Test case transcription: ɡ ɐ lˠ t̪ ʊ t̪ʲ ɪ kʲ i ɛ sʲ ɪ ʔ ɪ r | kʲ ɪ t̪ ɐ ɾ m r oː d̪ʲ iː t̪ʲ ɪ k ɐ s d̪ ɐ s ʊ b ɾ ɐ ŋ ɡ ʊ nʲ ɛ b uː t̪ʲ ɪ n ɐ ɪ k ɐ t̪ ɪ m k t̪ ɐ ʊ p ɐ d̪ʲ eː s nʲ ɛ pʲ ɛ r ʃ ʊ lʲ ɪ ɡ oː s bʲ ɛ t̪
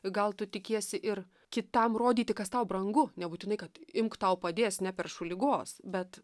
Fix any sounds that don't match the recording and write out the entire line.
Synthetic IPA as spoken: ɡ ɐ lˠ t̪ ʊ t̪ʲ ɪ kʲ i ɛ sʲ ɪ ʔ ɪ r | kʲ ɪ t̪ ɐ m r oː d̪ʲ iː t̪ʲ ɪ k ɐ s t̪ ɐ ʊ b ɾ ɐ ŋ ɡ ʊ nʲ ɛ b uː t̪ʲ ɪ n ɐ ɪ k ɐ t̪ ɪ m k t̪ ɐ ʊ p ɐ d̪ʲ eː s nʲ ɛ pʲ ɛ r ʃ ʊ lʲ ɪ ɡ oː s bʲ ɛ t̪